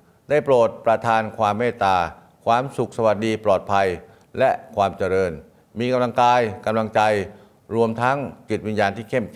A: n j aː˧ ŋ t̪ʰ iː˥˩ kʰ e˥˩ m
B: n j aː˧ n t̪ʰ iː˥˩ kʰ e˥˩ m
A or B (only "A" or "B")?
B